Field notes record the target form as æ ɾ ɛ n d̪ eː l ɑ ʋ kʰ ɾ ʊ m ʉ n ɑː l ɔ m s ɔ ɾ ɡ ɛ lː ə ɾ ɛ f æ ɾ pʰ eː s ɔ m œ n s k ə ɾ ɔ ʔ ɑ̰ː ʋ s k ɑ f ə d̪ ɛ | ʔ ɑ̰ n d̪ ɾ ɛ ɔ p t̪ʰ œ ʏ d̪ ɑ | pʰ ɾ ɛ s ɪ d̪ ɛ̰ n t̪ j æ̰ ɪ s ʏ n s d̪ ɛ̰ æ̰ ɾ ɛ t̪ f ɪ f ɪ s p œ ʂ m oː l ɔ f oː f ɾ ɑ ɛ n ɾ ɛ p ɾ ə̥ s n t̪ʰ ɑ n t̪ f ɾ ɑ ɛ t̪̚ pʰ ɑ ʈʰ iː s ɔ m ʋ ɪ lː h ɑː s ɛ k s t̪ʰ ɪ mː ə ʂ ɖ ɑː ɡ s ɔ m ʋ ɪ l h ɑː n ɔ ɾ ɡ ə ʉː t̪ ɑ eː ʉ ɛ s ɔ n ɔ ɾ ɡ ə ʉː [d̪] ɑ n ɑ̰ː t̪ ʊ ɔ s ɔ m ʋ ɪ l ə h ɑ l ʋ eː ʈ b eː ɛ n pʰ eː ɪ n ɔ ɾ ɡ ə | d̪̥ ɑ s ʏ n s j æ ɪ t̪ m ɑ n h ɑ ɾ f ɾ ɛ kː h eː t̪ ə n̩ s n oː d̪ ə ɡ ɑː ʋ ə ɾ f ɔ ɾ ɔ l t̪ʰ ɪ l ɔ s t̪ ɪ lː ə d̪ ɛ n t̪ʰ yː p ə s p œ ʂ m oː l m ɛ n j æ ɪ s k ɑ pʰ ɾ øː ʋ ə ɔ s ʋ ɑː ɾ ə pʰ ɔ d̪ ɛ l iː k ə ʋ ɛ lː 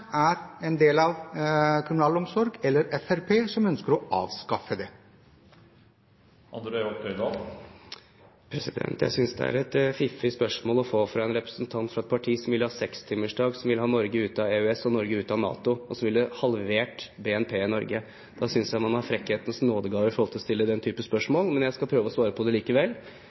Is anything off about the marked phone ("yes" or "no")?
yes